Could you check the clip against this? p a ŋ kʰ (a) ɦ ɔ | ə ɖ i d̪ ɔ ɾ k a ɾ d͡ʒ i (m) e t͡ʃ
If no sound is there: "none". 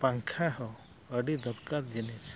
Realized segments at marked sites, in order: a, n

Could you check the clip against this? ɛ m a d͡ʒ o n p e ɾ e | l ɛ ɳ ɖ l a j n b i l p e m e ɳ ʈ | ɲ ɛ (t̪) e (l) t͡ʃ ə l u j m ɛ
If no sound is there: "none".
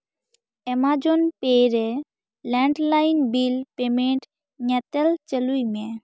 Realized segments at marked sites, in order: t̪, l

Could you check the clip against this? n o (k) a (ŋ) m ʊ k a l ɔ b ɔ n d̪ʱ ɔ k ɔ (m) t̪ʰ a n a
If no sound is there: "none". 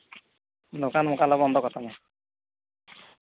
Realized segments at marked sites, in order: k, n, none

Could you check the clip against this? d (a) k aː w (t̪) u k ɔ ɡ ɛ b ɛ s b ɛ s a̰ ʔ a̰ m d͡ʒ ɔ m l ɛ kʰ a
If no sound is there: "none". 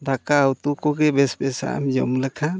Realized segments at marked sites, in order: a, t̪

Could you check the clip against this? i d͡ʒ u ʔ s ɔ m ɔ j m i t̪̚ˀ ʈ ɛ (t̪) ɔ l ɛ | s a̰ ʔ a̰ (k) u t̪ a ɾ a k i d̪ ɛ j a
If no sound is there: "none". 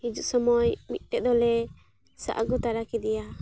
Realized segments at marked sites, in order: d̪, ɡ

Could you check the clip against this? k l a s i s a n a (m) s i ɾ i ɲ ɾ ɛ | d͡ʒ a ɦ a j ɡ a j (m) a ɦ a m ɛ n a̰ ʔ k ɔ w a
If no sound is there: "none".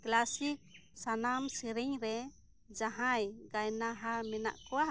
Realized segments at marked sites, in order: m, n

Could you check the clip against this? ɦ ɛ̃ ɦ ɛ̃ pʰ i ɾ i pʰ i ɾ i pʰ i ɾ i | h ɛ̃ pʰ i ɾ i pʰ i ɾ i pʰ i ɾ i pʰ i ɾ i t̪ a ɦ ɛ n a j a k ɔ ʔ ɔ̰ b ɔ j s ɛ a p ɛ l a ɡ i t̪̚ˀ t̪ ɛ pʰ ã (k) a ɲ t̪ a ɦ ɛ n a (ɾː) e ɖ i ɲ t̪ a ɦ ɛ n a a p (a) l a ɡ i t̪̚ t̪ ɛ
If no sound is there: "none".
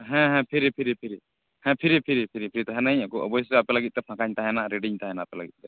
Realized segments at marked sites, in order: k, ɾ, ɛ

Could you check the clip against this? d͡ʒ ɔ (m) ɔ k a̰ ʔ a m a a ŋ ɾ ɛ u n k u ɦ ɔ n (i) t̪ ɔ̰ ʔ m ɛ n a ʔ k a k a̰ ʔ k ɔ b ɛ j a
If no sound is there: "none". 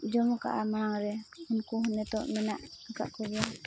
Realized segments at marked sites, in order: m, ɛ

